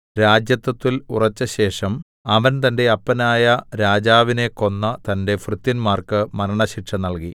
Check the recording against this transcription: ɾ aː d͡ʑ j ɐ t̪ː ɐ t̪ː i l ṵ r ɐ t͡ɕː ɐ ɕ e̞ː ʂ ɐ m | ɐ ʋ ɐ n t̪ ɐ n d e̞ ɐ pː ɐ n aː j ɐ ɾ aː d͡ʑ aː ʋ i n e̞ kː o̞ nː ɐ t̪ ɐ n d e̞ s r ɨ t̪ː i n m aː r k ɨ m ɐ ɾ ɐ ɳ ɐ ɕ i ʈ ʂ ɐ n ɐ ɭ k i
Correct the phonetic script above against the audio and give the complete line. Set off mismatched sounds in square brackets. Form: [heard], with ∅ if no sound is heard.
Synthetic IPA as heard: ɾ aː d͡ʑ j ɐ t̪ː ɐ t̪ː i l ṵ r ɐ t͡ɕː ɐ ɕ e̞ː ʂ ɐ m | ɐ ʋ ɐ n t̪ ɐ n d e̞ ɐ pː ɐ n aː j ɐ ɾ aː d͡ʑ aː ʋ i n e̞ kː o̞ nː ɐ t̪ ɐ n d e̞ [f] r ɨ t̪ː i n m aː r k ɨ m ɐ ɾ ɐ ɳ ɐ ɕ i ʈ ʂ ɐ n ɐ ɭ k i

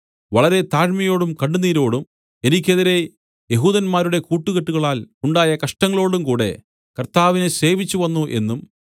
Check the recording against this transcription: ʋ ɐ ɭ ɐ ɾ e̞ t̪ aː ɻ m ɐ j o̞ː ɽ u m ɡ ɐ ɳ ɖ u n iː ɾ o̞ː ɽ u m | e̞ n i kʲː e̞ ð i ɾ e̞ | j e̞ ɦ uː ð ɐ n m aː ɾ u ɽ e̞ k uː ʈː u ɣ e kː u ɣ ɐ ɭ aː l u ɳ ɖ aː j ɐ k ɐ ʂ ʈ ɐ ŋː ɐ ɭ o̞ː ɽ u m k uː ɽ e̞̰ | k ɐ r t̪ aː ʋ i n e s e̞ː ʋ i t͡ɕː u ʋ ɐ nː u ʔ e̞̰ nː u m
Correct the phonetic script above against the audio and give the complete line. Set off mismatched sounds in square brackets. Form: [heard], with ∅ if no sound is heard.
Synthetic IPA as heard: ʋ ɐ ɭ ɐ ɾ e̞ t̪ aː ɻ m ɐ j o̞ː ɽ u m [k] ɐ ɳ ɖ u n iː ɾ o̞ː ɽ u m | e̞ n i kʲː e̞ ð i ɾ e̞ | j e̞ ɦ uː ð ɐ n m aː ɾ u ɽ e̞ k uː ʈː u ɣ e [ʈː] u ɣ ɐ ɭ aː l u ɳ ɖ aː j ɐ k ɐ ʂ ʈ ɐ ŋː ɐ ɭ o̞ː ɽ u m k uː ɽ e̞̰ | k ɐ r t̪ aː ʋ i n e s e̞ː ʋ i t͡ɕː u ʋ ɐ nː u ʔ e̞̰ nː u m

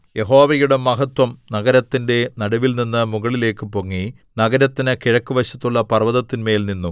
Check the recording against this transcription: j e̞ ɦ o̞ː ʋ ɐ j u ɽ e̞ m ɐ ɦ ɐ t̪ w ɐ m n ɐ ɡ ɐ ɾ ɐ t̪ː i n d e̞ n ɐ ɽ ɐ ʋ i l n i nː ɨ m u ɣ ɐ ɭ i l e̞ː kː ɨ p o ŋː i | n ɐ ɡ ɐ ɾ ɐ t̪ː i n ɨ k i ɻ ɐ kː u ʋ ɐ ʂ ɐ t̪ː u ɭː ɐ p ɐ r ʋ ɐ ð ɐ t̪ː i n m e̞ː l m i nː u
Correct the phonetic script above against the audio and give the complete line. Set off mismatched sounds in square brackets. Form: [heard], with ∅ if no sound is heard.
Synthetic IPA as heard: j e̞ ɦ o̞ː ʋ ɐ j u ɽ e̞ m ɐ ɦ ɐ t̪ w ɐ m n ɐ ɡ ɐ ɾ ɐ t̪ː i n d e̞ n ɐ ɽ ɐ ʋ i l n i nː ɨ m u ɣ ɐ ɭ i l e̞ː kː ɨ p o ŋː i | n ɐ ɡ ɐ ɾ ɐ t̪ː i n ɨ k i ɻ ɐ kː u ʋ ɐ [ɕ] ɐ t̪ː u ɭː ɐ p ɐ r ʋ ɐ ð ɐ t̪ː i n m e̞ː l [n] i nː u

